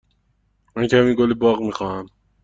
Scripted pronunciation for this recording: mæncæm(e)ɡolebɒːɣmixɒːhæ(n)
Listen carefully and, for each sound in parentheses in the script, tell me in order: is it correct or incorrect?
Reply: incorrect: i, incorrect: m

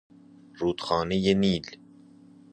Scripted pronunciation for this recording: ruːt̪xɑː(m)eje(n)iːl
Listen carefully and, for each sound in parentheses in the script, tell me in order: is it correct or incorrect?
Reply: incorrect: n, correct

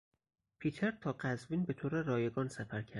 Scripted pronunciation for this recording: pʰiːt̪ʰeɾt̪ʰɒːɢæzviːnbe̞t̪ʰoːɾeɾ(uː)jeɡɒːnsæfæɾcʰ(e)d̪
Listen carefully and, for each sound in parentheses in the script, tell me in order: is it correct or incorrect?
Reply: incorrect: ɒː, incorrect: æ

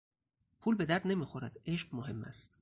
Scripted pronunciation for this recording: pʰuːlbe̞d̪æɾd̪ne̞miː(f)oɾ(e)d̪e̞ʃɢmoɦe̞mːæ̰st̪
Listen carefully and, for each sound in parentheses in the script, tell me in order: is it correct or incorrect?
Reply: incorrect: x, incorrect: æ

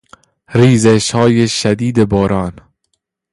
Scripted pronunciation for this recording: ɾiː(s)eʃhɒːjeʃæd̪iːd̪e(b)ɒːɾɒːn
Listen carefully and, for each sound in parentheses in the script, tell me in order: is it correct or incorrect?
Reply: incorrect: z, correct

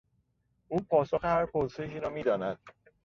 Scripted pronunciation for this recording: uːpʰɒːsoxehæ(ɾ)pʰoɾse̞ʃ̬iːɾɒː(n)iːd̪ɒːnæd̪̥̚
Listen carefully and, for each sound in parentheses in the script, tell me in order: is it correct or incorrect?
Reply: correct, incorrect: m

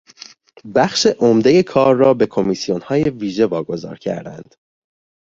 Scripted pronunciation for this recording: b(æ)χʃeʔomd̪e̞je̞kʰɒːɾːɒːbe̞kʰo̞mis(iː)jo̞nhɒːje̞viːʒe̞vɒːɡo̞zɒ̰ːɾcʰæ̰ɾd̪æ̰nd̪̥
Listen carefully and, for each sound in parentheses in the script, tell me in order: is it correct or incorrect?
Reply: correct, incorrect: i

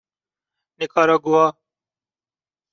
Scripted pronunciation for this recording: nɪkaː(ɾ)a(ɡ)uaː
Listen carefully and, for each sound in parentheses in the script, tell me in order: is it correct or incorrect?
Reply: correct, correct

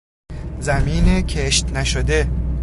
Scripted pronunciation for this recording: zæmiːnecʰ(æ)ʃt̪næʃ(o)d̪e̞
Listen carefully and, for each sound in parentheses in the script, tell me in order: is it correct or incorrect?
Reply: incorrect: e, correct

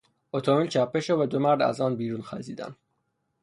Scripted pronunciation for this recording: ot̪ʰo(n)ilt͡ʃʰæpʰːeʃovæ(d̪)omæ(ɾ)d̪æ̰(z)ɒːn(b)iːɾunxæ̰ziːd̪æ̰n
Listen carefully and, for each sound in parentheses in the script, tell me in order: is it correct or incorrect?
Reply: incorrect: m, correct, correct, correct, correct

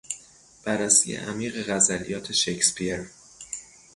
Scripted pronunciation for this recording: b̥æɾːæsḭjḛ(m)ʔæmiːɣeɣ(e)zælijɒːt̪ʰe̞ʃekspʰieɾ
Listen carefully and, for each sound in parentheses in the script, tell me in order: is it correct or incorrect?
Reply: incorrect: none, incorrect: æ

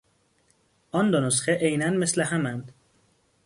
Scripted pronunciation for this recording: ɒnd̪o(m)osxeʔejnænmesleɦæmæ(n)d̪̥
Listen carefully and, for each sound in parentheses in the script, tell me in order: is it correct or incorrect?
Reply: incorrect: n, correct

